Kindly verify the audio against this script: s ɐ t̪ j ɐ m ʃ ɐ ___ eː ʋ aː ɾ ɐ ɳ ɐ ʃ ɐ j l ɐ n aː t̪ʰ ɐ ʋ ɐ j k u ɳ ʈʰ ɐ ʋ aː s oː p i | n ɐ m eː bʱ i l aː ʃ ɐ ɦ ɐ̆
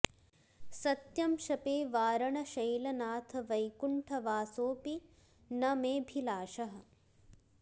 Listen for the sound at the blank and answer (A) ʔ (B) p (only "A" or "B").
B